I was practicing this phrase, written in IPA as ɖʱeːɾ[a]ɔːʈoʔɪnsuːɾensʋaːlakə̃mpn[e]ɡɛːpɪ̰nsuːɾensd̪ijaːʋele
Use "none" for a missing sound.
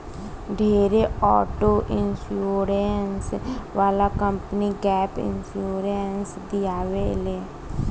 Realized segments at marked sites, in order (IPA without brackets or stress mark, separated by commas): e, i